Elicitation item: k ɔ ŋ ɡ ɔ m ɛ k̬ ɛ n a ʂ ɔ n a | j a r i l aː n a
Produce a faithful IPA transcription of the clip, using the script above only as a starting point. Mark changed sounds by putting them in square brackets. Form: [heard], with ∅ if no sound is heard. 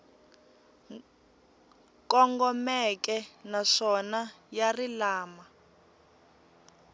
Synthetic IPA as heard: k ɔ ŋ ɡ ɔ m ɛ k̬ ɛ n a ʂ ɔ n a | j a r i l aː [m] a